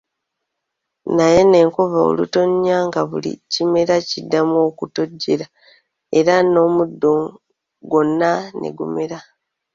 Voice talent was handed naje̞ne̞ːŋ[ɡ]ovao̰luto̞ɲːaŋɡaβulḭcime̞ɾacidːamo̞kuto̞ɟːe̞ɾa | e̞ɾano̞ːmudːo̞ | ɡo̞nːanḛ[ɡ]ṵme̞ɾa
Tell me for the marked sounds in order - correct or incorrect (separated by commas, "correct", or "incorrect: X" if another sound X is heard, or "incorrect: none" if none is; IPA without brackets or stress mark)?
incorrect: k, correct